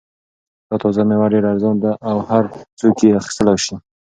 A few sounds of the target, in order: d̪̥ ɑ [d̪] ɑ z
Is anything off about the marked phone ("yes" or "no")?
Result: yes